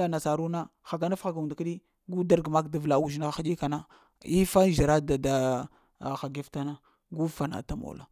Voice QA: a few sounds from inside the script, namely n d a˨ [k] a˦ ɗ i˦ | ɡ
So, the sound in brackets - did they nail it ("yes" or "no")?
yes